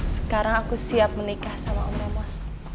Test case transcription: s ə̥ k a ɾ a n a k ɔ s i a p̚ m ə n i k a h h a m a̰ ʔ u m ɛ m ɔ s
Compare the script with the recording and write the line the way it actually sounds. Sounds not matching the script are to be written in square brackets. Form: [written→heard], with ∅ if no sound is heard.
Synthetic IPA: s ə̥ k a ɾ a [n→ŋ] a k [ɔ→u] s i a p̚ m ə n i k a h [h→s] a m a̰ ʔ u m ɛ m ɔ s